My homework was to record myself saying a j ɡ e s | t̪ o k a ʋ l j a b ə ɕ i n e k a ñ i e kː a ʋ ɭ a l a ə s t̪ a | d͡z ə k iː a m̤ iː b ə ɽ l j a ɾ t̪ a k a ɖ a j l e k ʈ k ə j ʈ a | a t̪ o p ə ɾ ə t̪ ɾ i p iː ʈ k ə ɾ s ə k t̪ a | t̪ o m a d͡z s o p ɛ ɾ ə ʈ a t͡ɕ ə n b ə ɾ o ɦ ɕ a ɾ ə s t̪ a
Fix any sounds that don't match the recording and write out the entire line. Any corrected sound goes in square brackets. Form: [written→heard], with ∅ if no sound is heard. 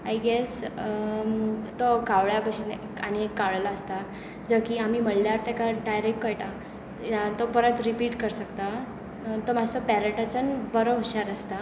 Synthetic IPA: a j ɡ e s | t̪ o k a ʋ [l→ɭ] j a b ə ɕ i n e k a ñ i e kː a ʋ ɭ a l a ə s t̪ a | d͡z ə k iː a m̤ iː [b→m] ə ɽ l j a ɾ t̪ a k a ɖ a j [l→ɾ] e k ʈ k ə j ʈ a | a t̪ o p ə ɾ ə t̪ ɾ i p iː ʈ k ə ɾ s ə k t̪ a | t̪ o m a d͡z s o p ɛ ɾ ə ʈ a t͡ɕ ə n b ə ɾ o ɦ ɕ a ɾ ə s t̪ a